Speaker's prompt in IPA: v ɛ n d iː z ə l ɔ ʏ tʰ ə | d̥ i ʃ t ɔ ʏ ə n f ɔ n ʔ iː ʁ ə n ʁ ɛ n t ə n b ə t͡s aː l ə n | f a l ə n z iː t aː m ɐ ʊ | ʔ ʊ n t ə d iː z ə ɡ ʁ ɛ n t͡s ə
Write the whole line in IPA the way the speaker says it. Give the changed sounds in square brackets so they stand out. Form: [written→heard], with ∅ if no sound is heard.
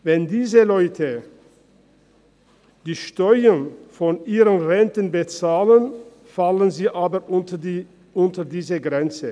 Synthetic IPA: v ɛ n d iː z ə l ɔ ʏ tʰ ə | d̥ [i→iː] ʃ t ɔ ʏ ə n f ɔ n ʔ iː ʁ ə n ʁ ɛ n t ə n b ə t͡s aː l ə n | f a l ə n z iː [t→ʔ] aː [m→b] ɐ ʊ | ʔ ʊ n t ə d iː z ə ɡ ʁ ɛ n t͡s ə

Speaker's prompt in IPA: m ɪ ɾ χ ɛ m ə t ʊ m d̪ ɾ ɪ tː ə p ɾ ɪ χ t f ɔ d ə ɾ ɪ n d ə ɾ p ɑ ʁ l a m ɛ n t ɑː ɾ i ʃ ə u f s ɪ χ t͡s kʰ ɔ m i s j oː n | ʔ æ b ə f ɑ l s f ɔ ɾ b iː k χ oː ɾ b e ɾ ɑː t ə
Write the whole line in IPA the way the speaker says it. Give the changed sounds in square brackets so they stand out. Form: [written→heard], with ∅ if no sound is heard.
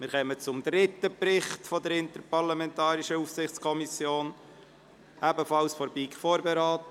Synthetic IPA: m ɪ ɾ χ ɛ m ə [t→t͡s] ʊ m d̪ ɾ ɪ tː ə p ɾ ɪ χ t f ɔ d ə ɾ ɪ n [d→t] ə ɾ p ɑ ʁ l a m ɛ n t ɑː ɾ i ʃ ə u f s ɪ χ t͡s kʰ ɔ m i s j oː n | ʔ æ b ə f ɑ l s f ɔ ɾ b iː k [χ→f] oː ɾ b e ɾ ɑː t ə

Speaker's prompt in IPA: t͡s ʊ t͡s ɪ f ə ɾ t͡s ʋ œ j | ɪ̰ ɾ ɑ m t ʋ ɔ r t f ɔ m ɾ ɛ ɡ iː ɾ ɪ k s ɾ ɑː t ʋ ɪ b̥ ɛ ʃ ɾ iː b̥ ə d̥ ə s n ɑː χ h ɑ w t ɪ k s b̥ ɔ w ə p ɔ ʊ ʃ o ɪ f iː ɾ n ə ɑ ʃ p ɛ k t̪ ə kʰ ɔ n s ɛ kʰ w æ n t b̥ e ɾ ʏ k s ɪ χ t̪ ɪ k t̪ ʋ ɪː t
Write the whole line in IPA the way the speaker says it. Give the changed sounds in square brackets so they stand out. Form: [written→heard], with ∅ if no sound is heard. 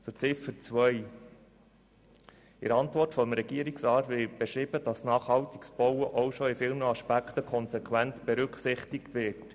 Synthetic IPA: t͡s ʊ t͡s ɪ f ə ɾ t͡s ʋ œ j | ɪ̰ ɾ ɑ [m→n] t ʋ ɔ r t f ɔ m ɾ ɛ ɡ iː ɾ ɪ k s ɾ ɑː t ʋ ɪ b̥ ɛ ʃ ɾ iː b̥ ə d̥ [ə→ɑ] s n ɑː χ h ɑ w t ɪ k s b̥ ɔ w ə [p→ʔ] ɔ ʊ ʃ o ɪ f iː [ɾ→l] n ə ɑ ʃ p [ɛ→æ] k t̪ ə kʰ ɔ n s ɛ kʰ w æ n t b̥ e ɾ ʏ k s ɪ χ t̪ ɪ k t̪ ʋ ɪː t

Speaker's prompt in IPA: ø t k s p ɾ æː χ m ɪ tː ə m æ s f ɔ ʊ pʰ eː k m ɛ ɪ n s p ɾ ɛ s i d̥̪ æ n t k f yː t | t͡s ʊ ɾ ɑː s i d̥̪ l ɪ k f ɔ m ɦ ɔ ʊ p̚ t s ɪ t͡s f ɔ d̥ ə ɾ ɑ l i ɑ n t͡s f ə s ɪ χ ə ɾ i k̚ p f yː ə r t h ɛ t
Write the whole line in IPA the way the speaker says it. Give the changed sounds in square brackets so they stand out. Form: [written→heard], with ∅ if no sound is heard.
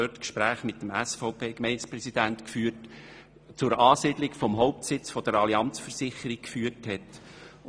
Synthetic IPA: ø t k [s→ʃ] p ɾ æː χ m ɪ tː ə m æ s f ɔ ʊ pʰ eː k m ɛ ɪ n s p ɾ ɛ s i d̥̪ æ n t k f yː t | t͡s ʊ ɾ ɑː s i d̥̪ l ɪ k f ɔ m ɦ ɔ ʊ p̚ t s ɪ t͡s f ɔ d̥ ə ɾ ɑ l i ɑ n t͡s f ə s ɪ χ ə ɾ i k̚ [p→k] f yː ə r t h ɛ t

